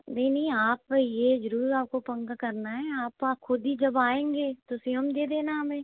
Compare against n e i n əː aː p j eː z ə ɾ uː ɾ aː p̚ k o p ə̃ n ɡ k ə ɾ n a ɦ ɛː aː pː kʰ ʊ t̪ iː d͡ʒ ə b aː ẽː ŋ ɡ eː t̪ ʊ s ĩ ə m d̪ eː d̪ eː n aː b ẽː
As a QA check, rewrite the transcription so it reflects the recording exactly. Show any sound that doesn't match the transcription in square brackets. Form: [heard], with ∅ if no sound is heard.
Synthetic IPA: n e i n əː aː p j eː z ə ɾ uː ɾ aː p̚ k o p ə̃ [ŋ] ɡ k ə ɾ n a ɦ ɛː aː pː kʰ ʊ [d̪] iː d͡ʒ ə b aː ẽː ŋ ɡ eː t̪ ʊ s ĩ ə m d̪ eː d̪ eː n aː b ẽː